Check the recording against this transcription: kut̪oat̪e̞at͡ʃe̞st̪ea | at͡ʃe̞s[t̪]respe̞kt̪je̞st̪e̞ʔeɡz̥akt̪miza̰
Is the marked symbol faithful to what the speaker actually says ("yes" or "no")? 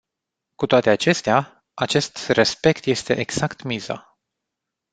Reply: yes